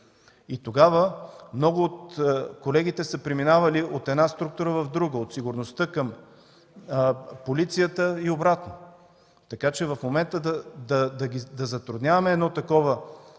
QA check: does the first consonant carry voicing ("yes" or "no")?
no